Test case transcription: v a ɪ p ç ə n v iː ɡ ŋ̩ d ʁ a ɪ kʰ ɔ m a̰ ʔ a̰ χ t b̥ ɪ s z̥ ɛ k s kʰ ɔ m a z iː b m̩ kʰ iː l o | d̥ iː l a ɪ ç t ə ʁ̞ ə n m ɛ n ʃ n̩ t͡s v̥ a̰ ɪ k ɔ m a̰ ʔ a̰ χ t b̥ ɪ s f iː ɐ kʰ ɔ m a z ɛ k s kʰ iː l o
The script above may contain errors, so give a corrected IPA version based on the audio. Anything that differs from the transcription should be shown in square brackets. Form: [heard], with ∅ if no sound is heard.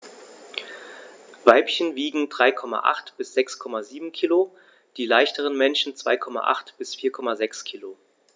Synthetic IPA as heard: v a ɪ p ç ə n v iː ɡ ŋ̩ d ʁ a ɪ kʰ ɔ m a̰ ʔ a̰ χ t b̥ ɪ s z̥ ɛ k s kʰ ɔ m a z iː b m̩ kʰ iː l o | d̥ iː l a ɪ ç t ə ʁ̞ ə n m ɛ n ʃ n̩ t͡s v̥ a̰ ɪ [kʰ] ɔ m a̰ ʔ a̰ χ t b̥ ɪ s f iː ɐ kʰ ɔ m a z ɛ k s kʰ iː l o